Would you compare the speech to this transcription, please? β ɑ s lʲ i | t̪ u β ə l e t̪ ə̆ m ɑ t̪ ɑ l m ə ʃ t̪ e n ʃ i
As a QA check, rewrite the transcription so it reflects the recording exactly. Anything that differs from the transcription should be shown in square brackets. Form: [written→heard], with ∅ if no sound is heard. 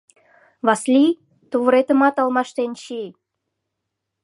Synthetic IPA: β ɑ s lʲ i | t̪ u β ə [l→ɾ] e t̪ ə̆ m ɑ t̪ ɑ l m [ə→ɑ] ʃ t̪ e n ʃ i